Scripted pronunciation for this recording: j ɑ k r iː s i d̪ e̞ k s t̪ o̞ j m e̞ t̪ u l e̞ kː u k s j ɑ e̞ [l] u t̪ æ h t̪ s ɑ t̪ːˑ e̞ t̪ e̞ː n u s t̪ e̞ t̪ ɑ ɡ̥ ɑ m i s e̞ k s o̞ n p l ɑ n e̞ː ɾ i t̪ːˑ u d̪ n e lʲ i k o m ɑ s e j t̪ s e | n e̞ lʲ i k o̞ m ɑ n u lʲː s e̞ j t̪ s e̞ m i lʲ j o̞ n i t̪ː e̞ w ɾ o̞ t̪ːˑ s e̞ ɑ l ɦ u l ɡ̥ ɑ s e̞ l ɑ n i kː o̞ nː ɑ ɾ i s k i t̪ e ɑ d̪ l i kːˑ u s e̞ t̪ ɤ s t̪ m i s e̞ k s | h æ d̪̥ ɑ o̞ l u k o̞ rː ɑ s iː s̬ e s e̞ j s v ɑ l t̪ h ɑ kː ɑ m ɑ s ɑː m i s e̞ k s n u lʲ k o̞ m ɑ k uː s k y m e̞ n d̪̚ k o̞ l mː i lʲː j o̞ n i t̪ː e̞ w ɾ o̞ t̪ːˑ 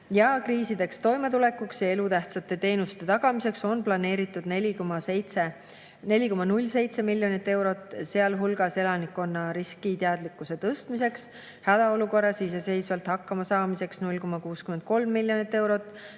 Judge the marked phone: correct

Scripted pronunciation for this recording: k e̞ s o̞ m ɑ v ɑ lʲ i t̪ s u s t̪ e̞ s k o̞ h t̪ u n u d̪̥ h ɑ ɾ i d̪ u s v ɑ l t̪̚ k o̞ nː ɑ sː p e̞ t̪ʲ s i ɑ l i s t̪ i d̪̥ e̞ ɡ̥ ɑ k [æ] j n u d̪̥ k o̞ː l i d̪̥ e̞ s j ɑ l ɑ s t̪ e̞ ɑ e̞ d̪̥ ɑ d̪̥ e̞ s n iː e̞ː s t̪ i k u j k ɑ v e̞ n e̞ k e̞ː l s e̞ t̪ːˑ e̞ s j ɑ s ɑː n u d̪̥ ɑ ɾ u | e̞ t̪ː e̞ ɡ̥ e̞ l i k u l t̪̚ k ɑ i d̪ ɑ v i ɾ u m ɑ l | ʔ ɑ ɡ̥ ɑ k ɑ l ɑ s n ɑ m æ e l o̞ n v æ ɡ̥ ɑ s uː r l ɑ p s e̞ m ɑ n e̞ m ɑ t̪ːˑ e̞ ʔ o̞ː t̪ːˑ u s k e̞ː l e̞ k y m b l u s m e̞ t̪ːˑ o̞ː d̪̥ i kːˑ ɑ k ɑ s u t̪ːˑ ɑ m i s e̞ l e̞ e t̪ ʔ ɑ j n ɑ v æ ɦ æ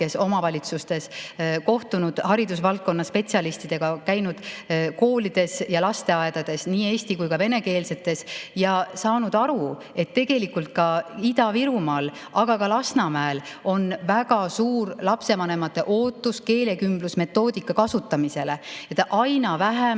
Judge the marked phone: correct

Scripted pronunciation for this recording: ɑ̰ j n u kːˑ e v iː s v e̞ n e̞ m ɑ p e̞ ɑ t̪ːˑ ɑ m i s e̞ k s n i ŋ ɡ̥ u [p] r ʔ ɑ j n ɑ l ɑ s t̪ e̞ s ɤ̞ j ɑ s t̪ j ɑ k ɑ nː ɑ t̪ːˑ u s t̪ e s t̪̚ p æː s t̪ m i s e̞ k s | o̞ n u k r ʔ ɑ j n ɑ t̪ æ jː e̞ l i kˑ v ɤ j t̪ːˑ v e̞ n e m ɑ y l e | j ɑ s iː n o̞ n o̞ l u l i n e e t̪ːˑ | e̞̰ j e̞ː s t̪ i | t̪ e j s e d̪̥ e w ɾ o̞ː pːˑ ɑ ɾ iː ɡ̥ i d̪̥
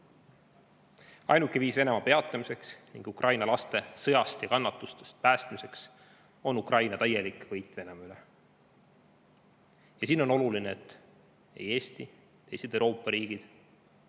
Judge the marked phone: incorrect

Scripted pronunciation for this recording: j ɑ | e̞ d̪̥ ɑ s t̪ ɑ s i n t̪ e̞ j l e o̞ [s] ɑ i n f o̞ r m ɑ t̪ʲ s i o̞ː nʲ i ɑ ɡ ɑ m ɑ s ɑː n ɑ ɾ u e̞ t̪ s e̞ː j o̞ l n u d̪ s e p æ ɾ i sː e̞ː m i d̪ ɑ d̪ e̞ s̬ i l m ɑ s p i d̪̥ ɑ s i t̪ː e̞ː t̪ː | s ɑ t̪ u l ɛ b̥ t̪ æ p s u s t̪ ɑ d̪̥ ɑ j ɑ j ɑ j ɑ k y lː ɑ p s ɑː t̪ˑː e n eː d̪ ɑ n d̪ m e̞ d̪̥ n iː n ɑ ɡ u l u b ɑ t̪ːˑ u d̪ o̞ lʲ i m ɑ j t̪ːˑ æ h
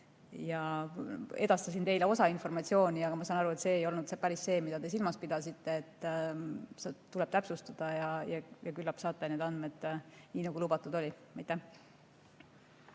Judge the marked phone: correct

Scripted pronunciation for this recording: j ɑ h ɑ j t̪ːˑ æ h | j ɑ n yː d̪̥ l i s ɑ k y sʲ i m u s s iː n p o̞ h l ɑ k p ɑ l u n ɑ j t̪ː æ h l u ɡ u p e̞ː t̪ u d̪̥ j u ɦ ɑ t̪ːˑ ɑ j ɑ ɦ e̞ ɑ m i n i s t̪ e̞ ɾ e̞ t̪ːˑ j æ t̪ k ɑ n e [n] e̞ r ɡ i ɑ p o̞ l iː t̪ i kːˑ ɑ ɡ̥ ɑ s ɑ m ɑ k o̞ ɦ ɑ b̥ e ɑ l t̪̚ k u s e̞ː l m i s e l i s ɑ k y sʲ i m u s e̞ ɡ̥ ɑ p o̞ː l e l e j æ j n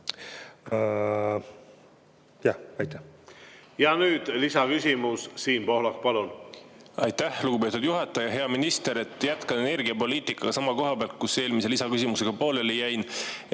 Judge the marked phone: correct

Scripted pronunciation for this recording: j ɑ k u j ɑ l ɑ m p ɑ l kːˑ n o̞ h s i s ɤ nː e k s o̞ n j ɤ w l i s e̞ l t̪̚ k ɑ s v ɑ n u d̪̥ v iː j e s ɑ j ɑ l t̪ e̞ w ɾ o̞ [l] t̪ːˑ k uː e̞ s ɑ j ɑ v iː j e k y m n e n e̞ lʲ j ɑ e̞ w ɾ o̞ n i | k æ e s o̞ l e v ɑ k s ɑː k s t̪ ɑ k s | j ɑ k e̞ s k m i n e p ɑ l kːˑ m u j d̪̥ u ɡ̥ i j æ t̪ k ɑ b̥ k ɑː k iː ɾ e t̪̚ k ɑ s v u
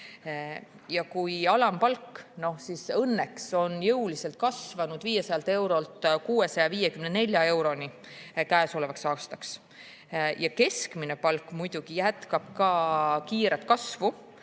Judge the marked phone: correct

